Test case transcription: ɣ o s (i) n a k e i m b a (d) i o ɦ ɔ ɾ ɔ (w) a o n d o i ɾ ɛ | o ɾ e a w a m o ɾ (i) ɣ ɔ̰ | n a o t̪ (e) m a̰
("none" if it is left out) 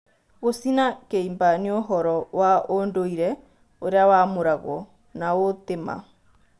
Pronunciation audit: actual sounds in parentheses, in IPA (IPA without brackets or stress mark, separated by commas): i, n, w, a, e